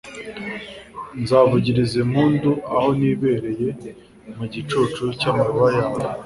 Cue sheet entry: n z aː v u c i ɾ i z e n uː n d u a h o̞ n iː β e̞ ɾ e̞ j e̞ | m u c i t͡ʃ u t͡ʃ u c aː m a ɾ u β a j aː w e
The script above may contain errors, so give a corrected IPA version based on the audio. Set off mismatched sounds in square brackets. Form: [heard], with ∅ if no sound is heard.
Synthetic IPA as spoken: n z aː v u [ɟ] i ɾ i z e [m] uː n d u a h o̞ n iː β e̞ ɾ e̞ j e̞ | m u [ɟ] i t͡ʃ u t͡ʃ u c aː m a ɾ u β a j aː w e